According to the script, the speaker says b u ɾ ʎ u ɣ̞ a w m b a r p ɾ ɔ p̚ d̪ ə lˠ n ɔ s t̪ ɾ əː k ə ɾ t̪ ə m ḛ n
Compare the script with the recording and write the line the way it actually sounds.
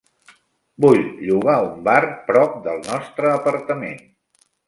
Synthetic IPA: b u ʎ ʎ u ɣ̞ a u m b a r p ɾ ɔ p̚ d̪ ə lˠ n ɔ s t̪ ɾ əː p ə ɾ t̪ ə m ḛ n